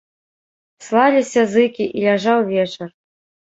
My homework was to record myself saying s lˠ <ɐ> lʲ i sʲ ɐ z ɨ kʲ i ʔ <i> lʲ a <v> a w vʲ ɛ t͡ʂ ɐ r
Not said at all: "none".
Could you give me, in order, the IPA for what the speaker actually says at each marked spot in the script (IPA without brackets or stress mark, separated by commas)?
a, i, ʐ